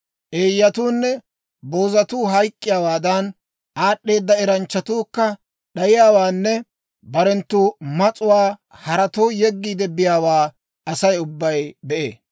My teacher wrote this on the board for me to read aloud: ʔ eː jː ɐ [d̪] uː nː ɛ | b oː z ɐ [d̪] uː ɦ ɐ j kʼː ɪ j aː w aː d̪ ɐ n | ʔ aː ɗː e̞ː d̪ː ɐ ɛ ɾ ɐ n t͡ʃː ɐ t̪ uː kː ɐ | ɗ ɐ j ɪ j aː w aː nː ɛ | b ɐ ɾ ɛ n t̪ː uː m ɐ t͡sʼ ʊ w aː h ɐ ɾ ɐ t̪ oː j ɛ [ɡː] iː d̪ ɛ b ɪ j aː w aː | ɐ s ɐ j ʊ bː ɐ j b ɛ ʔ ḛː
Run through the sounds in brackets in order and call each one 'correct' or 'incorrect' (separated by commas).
incorrect, incorrect, correct